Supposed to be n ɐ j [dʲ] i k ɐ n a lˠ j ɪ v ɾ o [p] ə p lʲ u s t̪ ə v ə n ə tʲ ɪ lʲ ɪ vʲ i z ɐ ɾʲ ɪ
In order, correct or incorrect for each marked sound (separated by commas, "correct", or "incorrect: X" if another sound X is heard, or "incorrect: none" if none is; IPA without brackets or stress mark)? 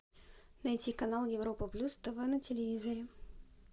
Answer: incorrect: tʲ, correct